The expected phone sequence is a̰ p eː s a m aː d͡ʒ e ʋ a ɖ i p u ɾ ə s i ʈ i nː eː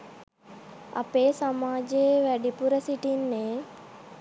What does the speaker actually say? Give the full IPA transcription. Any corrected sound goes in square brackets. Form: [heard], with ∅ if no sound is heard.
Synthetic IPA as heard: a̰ p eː s a m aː d͡ʒ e ʋ [æ] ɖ i p u ɾ ə s i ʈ i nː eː

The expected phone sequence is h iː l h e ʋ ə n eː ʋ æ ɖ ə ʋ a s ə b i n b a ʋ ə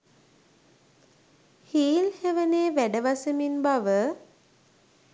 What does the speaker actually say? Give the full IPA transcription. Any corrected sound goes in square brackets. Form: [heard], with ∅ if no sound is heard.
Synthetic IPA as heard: h iː l h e ʋ ə n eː ʋ æ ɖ ə ʋ a s ə [m] i n b a ʋ ə

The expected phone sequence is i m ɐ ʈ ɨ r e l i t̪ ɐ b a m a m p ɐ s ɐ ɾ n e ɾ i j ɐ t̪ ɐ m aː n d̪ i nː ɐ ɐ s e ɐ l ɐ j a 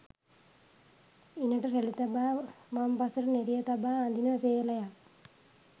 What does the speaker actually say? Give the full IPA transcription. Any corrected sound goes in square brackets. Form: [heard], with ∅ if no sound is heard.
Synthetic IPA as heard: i [n] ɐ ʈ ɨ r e l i t̪ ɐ b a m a m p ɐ s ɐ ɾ n e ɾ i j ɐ t̪ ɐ [b] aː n d̪ i [n] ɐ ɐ s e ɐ l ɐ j a

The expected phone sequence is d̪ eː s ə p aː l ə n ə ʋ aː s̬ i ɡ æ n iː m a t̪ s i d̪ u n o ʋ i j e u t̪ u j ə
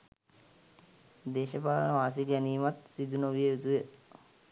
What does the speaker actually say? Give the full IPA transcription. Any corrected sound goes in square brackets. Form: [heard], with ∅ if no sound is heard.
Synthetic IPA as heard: d̪ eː [ʃ] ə p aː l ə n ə ʋ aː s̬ i ɡ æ n iː m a t̪ s i d̪ u n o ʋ i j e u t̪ u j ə

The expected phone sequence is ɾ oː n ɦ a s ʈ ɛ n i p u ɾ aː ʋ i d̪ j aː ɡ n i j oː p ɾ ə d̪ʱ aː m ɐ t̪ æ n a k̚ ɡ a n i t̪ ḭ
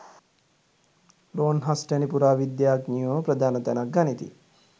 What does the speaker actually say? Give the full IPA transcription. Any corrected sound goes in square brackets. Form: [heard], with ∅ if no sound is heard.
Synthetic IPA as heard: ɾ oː n ɦ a s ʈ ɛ n i p u ɾ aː ʋ i d̪ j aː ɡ n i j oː p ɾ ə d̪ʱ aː [n] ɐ t̪ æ n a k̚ ɡ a n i t̪ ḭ

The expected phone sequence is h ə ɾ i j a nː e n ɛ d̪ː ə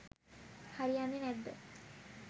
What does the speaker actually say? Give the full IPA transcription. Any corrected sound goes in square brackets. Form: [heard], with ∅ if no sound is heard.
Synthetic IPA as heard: h [a] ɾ i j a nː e n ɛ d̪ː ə

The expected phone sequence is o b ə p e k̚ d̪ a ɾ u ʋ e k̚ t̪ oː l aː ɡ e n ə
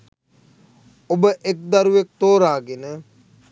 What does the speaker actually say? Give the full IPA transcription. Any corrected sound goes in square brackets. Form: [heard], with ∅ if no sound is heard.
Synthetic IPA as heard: o b ə [ʔ] e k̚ d̪ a ɾ u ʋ e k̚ t̪ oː [ɾ] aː ɡ e n ə

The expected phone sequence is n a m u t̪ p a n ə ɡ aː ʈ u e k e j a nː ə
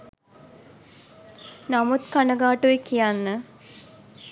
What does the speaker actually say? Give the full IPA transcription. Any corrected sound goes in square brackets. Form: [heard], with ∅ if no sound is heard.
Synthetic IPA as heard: n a m u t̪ [k] a n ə ɡ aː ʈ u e k [i] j a nː ə

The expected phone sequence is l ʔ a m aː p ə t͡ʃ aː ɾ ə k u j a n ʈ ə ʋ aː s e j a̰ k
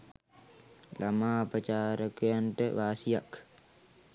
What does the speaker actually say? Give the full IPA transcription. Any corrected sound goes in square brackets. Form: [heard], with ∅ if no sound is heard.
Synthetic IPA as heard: l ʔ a m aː p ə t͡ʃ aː ɾ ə k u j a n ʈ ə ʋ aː s [i] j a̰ k

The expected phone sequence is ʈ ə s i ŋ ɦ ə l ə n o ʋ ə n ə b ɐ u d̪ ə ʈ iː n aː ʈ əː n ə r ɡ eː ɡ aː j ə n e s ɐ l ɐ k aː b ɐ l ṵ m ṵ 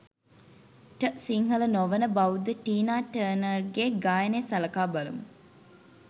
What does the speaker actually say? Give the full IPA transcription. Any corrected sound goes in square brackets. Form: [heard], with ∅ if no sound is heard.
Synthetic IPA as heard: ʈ ə s i ŋ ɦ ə l ə n o ʋ ə n ə b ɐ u d̪ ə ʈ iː n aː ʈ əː n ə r ɡ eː ɡ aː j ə n e s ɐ l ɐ k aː b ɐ l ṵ m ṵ

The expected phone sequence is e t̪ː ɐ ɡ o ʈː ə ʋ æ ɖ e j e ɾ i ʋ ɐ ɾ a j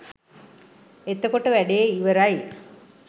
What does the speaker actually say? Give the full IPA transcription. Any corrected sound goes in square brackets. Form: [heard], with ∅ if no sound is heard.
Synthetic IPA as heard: e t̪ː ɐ [k] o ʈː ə ʋ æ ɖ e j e [∅] i ʋ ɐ ɾ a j

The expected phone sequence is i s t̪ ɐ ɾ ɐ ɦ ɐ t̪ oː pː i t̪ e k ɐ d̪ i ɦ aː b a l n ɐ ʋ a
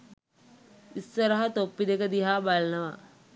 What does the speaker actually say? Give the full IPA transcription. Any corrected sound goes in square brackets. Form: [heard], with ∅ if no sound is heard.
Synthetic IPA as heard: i s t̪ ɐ ɾ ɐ ɦ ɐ t̪ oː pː i [d̪] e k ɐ d̪ i ɦ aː b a l n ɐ ʋ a

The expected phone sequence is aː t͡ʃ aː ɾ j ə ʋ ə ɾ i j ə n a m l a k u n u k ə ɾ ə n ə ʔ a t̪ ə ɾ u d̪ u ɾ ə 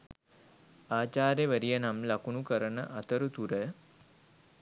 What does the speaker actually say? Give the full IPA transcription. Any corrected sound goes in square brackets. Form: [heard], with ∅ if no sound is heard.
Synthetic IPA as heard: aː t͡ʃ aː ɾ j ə ʋ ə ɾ i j ə n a m l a k u n u k ə ɾ ə n ə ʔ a t̪ ə ɾ u [t̪] u ɾ ə

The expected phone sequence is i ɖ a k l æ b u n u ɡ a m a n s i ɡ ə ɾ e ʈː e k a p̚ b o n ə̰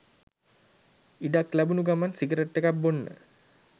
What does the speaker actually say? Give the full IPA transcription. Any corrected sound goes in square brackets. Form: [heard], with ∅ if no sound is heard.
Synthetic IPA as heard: i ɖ a k l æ b u n u ɡ a m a n s i ɡ ə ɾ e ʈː e k a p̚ b o [nː] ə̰

